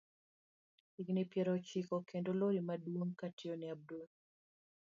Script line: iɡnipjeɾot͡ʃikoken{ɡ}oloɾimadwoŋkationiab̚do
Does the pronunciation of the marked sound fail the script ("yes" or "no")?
yes